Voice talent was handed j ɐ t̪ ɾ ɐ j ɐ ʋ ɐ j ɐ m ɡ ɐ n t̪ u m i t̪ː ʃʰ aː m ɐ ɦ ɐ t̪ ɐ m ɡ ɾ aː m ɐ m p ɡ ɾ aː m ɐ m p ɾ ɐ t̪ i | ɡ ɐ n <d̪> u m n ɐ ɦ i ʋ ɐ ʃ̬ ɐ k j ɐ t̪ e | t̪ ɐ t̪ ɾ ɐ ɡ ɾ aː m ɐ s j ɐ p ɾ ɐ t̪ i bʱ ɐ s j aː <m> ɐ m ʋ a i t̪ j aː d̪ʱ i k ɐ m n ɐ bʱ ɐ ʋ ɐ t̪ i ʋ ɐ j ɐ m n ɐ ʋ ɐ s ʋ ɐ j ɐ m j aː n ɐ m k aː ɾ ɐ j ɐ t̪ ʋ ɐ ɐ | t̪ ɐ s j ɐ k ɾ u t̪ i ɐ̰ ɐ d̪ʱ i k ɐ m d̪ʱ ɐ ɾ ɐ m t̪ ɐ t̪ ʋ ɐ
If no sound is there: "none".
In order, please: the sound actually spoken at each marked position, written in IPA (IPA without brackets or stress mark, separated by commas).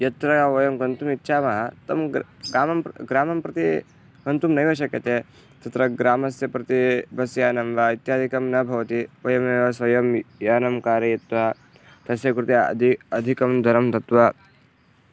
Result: t̪, n